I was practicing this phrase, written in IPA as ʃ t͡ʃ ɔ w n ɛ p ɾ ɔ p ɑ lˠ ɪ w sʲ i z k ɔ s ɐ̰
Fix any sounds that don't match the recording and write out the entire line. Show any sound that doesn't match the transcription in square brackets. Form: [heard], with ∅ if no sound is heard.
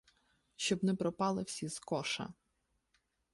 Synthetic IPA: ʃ t͡ʃ ɔ [b] n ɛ p ɾ ɔ p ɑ lˠ ɪ w sʲ i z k ɔ [ʃ] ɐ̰